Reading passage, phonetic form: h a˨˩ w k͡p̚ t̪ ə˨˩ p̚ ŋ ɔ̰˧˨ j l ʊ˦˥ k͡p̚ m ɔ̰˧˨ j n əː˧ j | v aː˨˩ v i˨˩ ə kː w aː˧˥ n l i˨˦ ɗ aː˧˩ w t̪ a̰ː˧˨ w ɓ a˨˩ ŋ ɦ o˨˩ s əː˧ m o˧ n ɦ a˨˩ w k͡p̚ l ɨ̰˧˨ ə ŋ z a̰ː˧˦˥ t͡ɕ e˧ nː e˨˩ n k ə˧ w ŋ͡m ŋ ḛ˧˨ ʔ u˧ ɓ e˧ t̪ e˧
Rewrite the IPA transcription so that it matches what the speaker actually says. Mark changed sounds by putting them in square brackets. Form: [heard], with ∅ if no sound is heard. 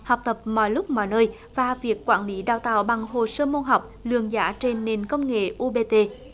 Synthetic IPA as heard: h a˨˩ w k͡p̚ t̪ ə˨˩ p̚ [m] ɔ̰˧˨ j l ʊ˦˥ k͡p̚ m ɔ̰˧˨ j n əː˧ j | v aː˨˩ v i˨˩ ə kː w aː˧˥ n l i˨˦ ɗ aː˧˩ w t̪ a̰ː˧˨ w ɓ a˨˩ ŋ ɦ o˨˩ s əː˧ m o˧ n ɦ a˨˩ w k͡p̚ l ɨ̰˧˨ ə ŋ z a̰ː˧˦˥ t͡ɕ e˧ nː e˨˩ n k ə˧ w ŋ͡m ŋ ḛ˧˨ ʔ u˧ ɓ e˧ t̪ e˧